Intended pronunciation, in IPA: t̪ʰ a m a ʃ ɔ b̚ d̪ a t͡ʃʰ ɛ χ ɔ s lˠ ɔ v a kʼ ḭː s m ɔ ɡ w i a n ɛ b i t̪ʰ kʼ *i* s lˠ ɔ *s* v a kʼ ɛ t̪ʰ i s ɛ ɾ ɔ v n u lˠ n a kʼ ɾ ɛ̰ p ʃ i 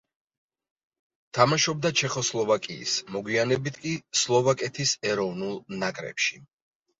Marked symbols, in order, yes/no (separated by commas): yes, no